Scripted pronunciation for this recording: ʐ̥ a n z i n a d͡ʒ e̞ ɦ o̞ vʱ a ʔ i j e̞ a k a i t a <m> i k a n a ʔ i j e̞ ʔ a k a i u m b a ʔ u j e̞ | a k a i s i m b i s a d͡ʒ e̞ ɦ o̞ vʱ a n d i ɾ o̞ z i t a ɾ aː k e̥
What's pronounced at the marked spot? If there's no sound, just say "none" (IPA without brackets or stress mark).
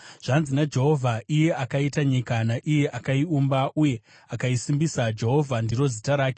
ɲ